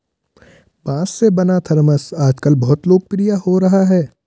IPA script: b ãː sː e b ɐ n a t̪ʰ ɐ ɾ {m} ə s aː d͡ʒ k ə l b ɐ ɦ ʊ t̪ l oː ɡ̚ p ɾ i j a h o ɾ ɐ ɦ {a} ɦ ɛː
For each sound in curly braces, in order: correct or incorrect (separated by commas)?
correct, correct